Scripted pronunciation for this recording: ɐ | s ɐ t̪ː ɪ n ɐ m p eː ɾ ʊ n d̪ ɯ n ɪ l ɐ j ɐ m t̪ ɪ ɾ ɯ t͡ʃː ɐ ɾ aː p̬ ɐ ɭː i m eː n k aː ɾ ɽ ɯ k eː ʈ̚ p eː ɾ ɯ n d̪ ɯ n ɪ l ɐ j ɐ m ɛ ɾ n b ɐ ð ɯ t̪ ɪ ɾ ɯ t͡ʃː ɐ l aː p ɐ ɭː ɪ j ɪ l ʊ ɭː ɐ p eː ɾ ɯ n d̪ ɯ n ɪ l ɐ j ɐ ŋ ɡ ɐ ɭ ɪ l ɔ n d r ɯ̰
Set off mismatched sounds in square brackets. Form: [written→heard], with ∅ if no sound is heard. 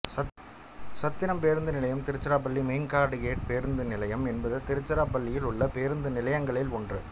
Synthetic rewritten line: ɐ | s ɐ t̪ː ɪ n ɐ m p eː ɾ [ʊ→ɯ] n d̪ ɯ n ɪ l ɐ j ɐ m t̪ ɪ ɾ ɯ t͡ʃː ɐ ɾ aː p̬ ɐ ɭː i m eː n k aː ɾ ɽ ɯ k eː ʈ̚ p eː ɾ ɯ n d̪ ɯ n ɪ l ɐ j ɐ m ɛ [ɾ→∅] n b ɐ ð ɯ t̪ ɪ ɾ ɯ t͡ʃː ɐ [l→ɾ] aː p ɐ ɭː ɪ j ɪ l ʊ ɭː ɐ p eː ɾ ɯ n d̪ ɯ n ɪ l ɐ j ɐ ŋ ɡ ɐ ɭ ɪ l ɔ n d r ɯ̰